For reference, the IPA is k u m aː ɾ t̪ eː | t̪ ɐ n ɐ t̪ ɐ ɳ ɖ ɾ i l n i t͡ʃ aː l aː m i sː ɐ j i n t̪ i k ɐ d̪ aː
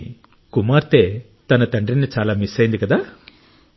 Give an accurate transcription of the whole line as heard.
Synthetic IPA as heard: k u m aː ɾ t̪ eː | t̪ ɐ n ɐ t̪ ɐ ɳ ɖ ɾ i n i t͡ʃ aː l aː m i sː ɐ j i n d̪ i k ɐ d̪ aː